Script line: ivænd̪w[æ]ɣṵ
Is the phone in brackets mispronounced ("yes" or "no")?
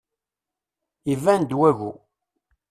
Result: no